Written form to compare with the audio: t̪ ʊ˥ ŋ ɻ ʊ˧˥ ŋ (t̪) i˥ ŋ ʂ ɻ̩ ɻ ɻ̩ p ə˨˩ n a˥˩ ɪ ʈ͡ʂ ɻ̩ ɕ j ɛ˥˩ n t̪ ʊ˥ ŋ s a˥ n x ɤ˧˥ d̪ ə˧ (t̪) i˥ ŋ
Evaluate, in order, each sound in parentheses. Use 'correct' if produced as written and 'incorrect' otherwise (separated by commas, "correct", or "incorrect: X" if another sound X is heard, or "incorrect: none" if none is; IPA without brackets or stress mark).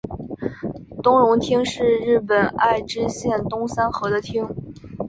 incorrect: t̪ʰ, incorrect: t̪ʰ